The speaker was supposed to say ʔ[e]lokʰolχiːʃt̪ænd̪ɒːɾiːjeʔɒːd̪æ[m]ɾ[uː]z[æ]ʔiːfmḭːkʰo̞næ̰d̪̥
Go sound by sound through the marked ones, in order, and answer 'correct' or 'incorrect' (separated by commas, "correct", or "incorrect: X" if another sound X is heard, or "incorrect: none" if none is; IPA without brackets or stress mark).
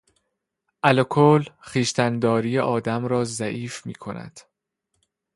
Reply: incorrect: æ, correct, incorrect: ɒː, correct